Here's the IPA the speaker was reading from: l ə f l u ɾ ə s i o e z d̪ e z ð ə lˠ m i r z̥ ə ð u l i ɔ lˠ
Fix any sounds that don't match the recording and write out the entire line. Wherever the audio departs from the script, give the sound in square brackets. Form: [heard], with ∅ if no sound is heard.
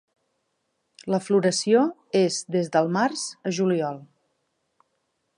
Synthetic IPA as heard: l ə f l u ɾ ə s i o e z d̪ e z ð ə lˠ m [a] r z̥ ə [ʒ] u l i ɔ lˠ